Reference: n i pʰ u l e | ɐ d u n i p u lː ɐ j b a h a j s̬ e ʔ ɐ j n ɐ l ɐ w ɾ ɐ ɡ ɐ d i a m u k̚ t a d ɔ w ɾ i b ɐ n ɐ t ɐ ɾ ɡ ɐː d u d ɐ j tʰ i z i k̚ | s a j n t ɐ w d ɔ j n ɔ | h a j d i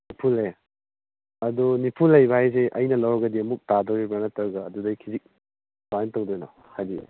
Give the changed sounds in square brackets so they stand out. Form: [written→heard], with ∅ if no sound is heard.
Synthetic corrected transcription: n i pʰ u l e | ɐ d u n i [p→pʰ] u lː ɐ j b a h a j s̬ e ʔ ɐ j n ɐ l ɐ w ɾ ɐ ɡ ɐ d i [a→ɐ] m u k̚ t a d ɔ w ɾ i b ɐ n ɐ t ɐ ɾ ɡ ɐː d u d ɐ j [tʰ→kʰ] i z i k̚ | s a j n t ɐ w d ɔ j n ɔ | h a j d i